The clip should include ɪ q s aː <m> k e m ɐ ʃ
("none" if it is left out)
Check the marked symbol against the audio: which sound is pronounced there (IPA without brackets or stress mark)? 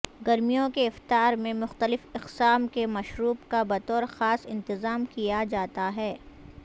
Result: m